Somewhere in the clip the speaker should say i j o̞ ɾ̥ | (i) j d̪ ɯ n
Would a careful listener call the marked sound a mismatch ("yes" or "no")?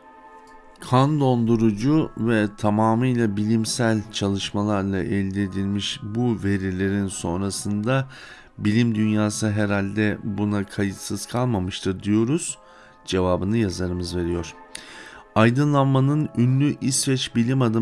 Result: yes